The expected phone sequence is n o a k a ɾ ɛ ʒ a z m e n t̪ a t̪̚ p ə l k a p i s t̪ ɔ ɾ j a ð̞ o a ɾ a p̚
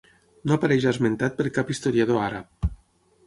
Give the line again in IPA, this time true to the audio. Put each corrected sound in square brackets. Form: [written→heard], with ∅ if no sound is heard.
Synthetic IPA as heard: n o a [k→p] a ɾ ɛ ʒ a z m e n t̪ a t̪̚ p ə [l→ɾ] k a p i s t̪ [ɔ→o] ɾ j a ð̞ o a ɾ a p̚